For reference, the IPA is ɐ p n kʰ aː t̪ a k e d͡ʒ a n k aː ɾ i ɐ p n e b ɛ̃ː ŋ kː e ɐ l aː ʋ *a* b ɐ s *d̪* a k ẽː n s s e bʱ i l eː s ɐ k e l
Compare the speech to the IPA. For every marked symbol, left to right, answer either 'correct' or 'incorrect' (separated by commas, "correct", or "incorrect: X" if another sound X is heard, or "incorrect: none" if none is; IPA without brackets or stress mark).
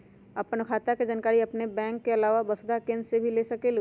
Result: correct, correct